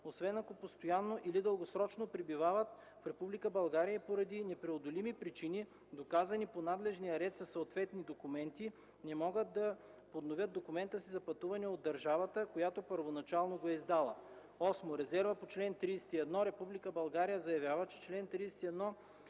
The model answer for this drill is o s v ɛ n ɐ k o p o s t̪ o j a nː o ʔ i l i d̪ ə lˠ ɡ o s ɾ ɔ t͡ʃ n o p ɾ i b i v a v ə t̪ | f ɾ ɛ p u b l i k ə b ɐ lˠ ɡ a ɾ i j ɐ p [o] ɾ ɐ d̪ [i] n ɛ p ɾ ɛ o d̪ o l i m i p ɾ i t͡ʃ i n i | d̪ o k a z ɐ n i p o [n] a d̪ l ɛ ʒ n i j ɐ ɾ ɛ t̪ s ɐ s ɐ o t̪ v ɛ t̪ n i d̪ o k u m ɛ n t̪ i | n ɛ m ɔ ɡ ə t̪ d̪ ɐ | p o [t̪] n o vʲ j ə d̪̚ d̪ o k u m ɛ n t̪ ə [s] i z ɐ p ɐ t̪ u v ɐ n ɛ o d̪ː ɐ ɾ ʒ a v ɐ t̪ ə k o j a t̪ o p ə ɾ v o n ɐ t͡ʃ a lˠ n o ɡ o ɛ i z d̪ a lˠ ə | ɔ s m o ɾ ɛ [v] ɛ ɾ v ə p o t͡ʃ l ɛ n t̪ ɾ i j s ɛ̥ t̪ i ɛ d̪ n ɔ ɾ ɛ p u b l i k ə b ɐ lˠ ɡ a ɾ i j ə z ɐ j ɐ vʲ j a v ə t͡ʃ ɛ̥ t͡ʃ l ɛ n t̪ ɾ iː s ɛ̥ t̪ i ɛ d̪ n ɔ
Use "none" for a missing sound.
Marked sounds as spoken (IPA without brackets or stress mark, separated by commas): o, i, n, d̪, s, z